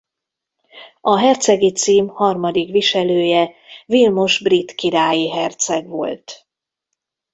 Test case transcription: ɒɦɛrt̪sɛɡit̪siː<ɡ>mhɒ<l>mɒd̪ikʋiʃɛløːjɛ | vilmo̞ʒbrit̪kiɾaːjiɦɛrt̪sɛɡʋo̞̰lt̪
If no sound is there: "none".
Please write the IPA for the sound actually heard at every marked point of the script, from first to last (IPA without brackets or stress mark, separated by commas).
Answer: none, r